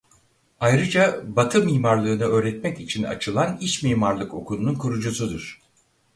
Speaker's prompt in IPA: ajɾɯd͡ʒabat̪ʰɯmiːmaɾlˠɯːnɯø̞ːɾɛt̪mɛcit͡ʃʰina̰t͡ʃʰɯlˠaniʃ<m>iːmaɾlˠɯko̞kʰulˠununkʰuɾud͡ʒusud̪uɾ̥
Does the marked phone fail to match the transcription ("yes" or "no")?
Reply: no